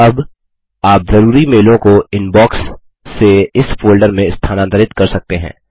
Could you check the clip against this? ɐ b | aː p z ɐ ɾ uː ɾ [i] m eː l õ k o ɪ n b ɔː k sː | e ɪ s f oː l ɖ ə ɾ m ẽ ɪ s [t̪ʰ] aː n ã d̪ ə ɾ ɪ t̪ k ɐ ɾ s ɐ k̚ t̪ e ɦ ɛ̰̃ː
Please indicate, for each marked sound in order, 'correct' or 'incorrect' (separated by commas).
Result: correct, correct